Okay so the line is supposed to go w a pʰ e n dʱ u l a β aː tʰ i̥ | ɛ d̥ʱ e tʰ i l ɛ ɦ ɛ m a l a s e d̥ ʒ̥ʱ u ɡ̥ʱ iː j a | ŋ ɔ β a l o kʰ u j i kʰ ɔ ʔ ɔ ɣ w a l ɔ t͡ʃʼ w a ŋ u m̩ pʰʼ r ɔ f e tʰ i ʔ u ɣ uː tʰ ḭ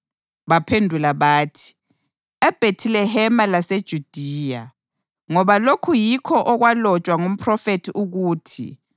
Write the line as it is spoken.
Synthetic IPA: β a pʰ e n dʱ u l a β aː tʰ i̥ | ɛ b̥ʱ e tʰ i l ɛ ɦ ɛ m a l a s e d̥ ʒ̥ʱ u d̥ʱ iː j a | ŋ ɔ β a l o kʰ u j i kʰ ɔ ʔ ɔ ɣ w a l ɔ t͡ʃʼ w a ŋ u m̩ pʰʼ r ɔ f e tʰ i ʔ u ɣ uː tʰ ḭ